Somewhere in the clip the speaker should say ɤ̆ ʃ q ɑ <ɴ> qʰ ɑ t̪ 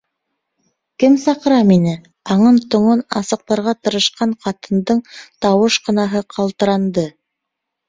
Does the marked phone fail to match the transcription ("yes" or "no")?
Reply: no